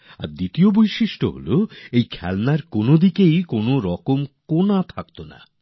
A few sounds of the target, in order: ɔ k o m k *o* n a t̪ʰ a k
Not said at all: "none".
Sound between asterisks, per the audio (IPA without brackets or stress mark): o